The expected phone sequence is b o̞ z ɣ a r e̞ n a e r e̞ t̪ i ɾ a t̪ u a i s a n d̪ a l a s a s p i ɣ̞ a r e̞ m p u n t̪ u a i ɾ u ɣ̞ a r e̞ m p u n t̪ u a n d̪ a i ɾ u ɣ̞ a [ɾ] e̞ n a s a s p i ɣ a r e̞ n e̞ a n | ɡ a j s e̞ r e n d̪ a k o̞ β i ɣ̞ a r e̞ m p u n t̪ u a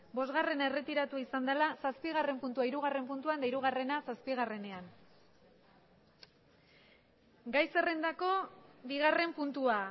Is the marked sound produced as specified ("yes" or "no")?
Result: no